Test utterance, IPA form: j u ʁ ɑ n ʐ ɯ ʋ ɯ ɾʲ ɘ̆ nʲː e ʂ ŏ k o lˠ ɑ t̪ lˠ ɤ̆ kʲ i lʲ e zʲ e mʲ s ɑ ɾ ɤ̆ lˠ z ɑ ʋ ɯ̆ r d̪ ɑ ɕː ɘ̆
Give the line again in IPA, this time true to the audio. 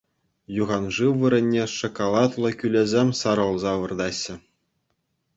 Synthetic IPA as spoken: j u ʁ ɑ n ʐ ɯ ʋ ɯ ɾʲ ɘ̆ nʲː e ʂ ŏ k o lˠ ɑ t̪ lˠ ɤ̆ kʲ y lʲ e zʲ e mʲ s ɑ ɾ ɤ̆ lˠ z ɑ ʋ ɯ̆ r d̪ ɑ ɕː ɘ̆